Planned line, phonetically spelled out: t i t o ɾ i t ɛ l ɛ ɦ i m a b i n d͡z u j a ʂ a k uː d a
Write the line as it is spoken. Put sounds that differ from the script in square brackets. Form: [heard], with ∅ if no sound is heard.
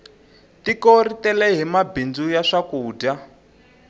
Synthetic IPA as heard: t i [k] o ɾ i t ɛ l ɛ ɦ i m a b i n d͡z u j a ʂ a k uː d a